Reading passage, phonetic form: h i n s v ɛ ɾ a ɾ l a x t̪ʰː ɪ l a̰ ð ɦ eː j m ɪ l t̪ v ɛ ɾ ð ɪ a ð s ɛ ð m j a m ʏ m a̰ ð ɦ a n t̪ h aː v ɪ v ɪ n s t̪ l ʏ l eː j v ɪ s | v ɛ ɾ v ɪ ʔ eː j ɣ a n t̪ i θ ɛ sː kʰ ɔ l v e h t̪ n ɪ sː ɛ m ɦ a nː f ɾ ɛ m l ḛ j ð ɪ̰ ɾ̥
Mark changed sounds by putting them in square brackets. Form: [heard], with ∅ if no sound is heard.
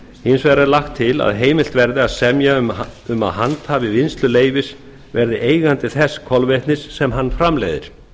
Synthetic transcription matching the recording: h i n s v ɛ ɾ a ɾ l a x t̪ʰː ɪ l a̰ ð ɦ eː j m ɪ l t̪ v ɛ ɾ ð ɪ a ð s ɛ [∅] m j a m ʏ m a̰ ð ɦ a n t̪ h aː v ɪ v ɪ n s t̪ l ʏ l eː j v ɪ s | v ɛ ɾ [ð] ɪ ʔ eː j ɣ a n t̪ [ɪ] θ ɛ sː kʰ ɔ l v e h t̪ n ɪ sː ɛ m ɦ a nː f ɾ [a] m l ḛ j ð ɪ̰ ɾ̥